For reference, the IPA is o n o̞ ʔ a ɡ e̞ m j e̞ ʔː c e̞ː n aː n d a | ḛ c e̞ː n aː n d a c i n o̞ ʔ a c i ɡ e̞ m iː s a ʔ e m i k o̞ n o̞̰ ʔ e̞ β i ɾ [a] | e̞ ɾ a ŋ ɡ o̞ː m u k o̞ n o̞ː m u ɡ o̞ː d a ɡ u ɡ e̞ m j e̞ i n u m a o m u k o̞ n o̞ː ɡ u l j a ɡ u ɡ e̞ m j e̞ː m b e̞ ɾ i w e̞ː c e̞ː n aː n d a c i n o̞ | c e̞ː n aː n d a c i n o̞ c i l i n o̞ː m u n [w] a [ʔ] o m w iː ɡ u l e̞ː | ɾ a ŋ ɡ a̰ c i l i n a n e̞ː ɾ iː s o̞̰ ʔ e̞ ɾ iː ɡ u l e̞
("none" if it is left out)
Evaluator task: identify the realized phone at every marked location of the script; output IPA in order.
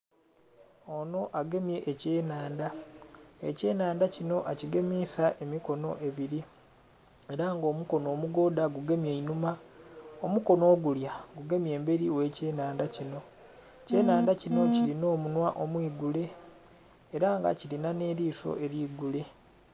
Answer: i, w, ʔ

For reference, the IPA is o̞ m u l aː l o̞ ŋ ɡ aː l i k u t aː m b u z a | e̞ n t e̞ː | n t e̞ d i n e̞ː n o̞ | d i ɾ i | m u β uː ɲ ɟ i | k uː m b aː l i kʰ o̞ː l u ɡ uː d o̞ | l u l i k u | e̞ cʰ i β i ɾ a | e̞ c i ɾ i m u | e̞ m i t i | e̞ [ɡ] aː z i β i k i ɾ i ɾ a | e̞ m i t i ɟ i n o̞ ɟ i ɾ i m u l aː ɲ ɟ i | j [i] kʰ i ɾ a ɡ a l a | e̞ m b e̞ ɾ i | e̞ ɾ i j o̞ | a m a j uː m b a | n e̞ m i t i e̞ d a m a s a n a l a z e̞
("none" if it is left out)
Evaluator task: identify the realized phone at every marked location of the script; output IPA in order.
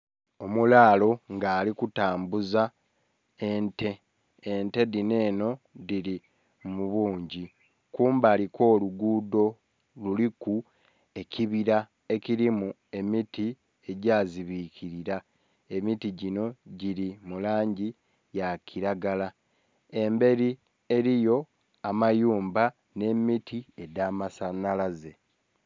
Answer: ɟ, a

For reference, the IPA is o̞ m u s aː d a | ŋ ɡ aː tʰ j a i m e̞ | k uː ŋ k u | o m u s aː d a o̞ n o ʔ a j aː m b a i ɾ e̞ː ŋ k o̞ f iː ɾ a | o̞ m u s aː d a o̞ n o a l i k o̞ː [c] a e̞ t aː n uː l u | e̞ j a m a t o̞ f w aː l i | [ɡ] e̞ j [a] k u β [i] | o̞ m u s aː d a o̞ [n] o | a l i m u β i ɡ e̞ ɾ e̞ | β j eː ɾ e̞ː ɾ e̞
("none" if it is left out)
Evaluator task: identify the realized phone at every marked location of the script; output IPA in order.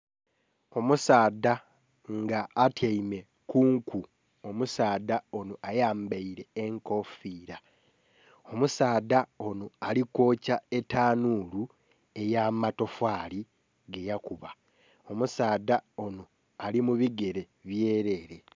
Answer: c, ɡ, a, a, n

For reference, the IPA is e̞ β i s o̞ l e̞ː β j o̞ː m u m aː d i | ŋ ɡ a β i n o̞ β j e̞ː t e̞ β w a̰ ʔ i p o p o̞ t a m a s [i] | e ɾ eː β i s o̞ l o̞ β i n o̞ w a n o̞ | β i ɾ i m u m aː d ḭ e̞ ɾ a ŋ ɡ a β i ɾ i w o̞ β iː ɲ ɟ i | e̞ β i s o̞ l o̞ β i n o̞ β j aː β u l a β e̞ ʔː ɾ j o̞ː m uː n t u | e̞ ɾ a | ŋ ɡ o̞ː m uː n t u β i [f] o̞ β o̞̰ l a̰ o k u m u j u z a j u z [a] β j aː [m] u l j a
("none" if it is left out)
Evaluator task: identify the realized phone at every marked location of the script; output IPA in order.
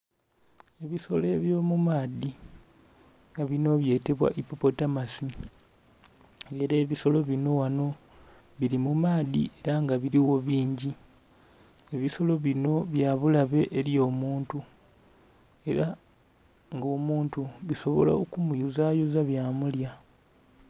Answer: i, s, a, m

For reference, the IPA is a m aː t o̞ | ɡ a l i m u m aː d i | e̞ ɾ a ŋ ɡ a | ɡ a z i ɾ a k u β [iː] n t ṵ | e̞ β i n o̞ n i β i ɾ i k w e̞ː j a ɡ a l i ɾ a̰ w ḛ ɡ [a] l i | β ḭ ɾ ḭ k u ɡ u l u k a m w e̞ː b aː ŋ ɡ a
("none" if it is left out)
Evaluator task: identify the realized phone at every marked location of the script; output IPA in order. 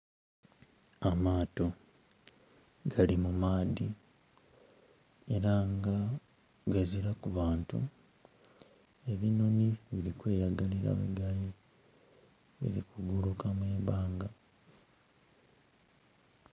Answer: aː, a

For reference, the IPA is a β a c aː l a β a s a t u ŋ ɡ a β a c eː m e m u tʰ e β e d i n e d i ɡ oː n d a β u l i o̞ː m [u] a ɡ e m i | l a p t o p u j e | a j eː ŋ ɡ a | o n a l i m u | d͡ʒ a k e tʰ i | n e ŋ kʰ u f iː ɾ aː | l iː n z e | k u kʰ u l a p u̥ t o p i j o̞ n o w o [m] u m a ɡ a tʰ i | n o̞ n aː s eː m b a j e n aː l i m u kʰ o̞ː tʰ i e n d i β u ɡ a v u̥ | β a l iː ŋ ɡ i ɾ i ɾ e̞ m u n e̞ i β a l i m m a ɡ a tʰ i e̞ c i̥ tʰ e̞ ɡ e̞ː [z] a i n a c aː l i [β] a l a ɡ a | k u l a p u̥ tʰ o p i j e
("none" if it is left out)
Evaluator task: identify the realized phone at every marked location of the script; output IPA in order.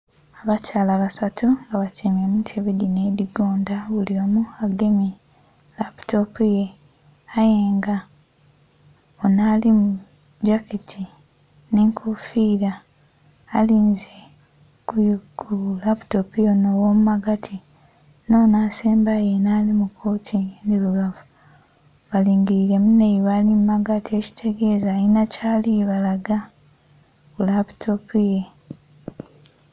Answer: u, m, z, β

